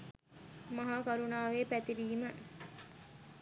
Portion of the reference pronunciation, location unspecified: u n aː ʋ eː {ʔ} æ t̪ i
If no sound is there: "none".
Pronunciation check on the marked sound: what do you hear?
p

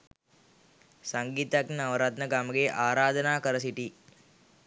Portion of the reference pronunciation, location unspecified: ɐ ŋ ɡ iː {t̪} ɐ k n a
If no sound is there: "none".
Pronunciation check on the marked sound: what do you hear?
t̪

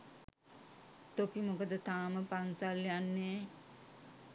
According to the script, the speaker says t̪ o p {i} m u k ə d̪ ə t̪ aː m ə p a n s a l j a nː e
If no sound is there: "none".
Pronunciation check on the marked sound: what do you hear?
i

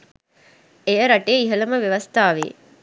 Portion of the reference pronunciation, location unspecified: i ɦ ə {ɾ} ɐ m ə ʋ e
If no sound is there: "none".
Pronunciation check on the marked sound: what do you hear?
l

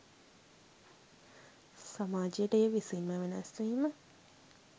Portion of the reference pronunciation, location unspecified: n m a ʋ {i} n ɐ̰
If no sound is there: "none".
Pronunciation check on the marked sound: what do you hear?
e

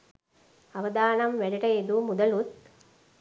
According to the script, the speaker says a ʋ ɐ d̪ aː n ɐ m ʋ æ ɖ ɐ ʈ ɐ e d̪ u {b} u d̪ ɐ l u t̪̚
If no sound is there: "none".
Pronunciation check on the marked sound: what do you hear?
m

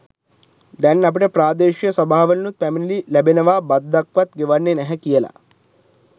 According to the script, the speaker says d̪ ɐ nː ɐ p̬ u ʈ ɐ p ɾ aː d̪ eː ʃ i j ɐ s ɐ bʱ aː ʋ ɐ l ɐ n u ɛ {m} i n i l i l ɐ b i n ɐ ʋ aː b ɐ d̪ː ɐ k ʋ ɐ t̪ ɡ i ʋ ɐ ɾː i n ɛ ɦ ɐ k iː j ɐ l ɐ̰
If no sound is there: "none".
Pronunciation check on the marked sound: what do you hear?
m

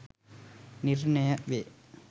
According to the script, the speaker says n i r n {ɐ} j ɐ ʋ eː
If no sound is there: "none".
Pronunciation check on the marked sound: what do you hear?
ɐ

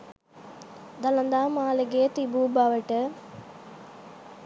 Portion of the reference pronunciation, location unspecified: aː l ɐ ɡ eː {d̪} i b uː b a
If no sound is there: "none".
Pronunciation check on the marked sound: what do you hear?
t̪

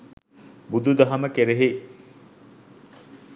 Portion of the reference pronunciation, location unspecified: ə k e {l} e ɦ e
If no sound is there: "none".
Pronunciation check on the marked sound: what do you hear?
ɾ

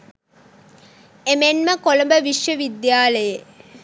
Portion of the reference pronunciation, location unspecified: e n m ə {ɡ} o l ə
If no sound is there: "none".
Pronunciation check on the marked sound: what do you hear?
k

